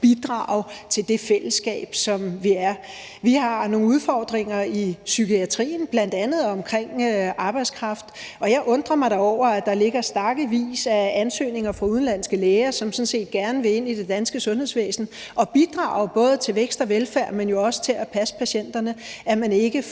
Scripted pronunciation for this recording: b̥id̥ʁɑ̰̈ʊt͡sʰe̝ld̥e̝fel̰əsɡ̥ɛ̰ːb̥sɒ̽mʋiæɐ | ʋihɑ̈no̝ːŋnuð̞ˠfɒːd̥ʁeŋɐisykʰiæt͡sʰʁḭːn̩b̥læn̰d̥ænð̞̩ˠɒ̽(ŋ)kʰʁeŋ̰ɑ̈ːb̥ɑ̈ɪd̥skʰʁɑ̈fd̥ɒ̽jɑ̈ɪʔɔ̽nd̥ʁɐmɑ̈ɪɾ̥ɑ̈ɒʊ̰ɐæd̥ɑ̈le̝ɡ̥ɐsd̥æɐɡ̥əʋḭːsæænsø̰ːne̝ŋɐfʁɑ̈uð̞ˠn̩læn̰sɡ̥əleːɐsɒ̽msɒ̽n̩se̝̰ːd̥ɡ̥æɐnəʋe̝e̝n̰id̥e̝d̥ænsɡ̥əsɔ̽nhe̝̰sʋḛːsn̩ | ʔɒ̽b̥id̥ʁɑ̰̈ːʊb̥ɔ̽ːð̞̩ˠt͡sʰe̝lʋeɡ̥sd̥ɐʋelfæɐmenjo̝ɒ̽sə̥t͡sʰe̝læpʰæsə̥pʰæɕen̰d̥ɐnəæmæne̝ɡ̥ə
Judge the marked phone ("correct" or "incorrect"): incorrect